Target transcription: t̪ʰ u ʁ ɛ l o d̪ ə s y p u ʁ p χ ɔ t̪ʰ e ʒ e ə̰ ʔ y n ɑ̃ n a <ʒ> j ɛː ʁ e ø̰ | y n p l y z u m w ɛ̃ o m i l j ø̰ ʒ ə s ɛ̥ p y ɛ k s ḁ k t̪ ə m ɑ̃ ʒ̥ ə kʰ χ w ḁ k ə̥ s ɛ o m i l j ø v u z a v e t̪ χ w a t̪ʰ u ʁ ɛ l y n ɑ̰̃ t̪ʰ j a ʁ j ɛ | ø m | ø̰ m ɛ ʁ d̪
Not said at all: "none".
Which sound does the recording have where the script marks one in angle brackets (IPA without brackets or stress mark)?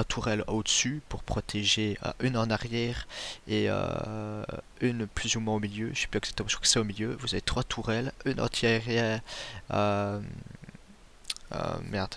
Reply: ʁ